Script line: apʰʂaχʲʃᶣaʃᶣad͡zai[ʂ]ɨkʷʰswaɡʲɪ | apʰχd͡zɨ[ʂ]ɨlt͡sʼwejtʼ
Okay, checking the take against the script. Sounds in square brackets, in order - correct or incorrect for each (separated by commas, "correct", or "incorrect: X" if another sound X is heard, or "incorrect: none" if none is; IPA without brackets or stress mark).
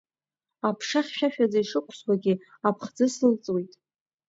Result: correct, incorrect: s